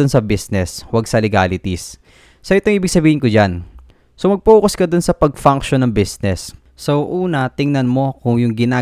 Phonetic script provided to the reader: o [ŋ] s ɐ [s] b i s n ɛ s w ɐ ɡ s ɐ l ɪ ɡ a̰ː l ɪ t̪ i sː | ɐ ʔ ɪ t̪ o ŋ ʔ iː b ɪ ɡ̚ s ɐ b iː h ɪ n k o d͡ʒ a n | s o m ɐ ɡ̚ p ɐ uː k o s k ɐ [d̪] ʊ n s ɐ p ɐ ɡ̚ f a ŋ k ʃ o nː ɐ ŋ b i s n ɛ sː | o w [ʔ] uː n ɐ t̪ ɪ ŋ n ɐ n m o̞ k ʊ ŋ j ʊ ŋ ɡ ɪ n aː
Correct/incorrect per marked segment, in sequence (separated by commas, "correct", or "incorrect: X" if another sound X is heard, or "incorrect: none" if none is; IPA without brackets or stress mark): incorrect: n, incorrect: none, correct, correct